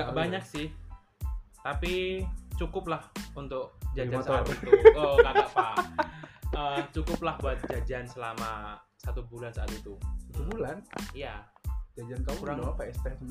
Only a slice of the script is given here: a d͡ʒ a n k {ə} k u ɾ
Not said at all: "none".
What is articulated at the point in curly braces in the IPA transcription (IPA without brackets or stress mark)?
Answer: a